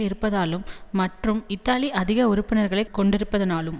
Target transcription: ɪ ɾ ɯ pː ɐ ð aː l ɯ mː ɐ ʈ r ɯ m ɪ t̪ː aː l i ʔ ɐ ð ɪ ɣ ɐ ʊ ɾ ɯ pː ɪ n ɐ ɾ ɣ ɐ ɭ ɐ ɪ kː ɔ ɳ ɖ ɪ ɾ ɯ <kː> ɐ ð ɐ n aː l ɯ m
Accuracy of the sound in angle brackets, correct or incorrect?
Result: incorrect